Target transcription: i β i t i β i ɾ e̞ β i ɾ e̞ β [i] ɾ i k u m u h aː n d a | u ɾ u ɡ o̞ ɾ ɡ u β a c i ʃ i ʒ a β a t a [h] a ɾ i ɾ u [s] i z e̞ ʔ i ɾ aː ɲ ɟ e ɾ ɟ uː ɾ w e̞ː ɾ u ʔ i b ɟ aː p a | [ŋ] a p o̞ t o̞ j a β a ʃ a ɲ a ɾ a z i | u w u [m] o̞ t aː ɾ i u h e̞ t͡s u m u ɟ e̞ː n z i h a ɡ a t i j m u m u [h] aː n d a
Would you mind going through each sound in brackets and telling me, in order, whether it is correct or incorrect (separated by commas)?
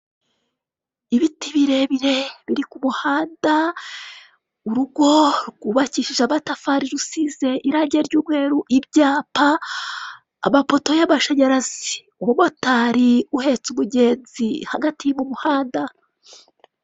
correct, incorrect, correct, incorrect, correct, correct